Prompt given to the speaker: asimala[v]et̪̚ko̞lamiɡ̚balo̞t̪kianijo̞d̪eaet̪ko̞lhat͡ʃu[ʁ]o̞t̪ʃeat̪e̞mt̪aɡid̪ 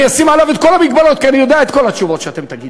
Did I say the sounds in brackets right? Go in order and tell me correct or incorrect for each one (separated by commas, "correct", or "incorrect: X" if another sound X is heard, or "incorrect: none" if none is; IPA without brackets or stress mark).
correct, incorrect: v